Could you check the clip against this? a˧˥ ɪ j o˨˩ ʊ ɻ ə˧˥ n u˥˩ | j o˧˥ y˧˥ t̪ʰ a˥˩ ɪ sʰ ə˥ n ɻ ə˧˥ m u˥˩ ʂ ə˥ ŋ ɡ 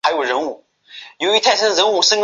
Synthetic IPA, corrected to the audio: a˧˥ ɪ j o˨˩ ʊ ɻ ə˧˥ n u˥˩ | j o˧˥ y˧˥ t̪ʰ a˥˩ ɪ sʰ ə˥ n ɻ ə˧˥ n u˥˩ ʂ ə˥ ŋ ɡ